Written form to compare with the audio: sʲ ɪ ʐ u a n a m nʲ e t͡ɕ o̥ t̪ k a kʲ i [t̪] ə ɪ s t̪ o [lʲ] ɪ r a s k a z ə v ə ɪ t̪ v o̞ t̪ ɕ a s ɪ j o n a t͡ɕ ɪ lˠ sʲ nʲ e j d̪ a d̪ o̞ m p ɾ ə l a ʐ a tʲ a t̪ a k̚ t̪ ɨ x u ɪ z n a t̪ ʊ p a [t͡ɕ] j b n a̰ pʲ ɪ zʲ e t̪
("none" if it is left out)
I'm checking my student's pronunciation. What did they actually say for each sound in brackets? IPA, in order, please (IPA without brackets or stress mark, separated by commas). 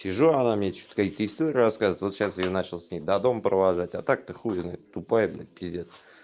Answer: t̪, ɾʲ, none